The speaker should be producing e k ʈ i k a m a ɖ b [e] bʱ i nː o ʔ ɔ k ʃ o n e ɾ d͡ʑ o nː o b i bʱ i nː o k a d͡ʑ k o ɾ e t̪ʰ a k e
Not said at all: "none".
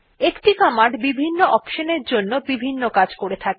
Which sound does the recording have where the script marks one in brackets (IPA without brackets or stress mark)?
i